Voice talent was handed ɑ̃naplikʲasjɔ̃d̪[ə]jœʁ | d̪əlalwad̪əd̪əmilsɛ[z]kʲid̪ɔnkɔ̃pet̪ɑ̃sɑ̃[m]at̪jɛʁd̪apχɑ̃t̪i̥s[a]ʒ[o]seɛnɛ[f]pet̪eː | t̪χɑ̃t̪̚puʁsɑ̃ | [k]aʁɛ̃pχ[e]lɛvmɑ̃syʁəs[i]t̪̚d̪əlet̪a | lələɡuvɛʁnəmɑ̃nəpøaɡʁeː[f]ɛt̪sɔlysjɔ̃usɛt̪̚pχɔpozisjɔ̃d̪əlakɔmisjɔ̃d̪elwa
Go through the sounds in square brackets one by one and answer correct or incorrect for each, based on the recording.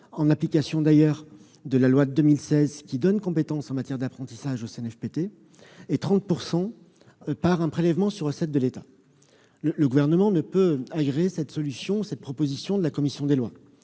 incorrect: a, correct, correct, correct, correct, correct, incorrect: p, correct, incorrect: ɛ, incorrect: s

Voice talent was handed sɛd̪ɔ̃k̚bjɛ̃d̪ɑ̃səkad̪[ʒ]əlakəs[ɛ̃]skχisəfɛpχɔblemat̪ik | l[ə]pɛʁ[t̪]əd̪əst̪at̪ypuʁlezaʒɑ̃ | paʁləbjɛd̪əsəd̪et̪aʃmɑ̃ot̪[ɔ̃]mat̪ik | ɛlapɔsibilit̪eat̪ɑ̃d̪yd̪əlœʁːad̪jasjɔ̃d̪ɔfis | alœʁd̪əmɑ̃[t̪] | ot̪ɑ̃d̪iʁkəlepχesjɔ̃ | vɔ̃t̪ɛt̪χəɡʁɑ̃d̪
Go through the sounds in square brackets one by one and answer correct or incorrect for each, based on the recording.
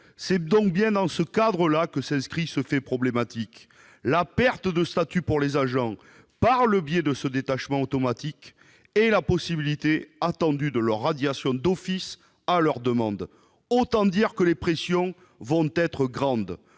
incorrect: ʁ, correct, incorrect: a, correct, incorrect: ɔ, incorrect: d̪

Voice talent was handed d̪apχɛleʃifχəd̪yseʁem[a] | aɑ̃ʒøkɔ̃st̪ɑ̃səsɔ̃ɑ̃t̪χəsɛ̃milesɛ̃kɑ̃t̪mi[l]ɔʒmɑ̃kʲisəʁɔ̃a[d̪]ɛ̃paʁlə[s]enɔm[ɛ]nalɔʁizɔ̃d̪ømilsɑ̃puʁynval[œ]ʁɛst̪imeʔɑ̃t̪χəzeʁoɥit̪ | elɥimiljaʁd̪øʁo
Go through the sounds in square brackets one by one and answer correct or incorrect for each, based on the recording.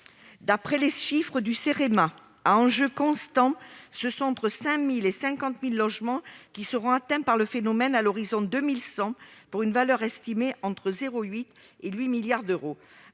correct, incorrect: lː, incorrect: t̪, incorrect: f, correct, correct

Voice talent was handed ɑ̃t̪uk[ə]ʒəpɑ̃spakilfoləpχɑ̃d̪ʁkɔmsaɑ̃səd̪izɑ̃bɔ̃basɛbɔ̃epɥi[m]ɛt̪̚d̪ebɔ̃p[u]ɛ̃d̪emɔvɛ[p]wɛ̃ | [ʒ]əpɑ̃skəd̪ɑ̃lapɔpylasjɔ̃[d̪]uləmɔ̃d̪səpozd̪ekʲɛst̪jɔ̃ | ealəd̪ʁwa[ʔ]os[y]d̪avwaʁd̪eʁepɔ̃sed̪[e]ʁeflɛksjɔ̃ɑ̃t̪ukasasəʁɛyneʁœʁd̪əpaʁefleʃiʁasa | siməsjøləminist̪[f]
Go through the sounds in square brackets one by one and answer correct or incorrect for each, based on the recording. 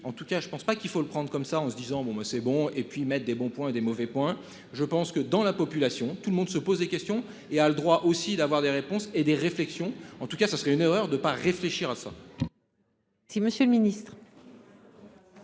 incorrect: a, correct, incorrect: w, correct, correct, incorrect: t̪, correct, incorrect: i, correct, incorrect: χ

